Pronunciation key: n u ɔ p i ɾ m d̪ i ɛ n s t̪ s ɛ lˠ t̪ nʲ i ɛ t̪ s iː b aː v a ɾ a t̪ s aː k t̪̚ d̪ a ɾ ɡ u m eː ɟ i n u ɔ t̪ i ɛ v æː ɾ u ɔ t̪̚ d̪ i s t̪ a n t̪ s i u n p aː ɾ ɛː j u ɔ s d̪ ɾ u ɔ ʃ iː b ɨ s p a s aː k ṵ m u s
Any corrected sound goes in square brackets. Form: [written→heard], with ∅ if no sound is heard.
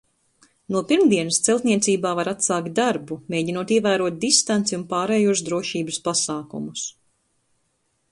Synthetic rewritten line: n u ɔ p i ɾ m d̪ i ɛ n s t̪ s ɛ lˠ t̪ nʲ i ɛ t̪ s iː b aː v a ɾ a t̪ s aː k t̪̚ d̪ a ɾ [ɡ→b] u m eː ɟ i n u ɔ t̪ i ɛ v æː ɾ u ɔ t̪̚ d̪ i s t̪ a n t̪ s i u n p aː ɾ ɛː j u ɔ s d̪ ɾ u ɔ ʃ iː b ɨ s p a s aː k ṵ m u s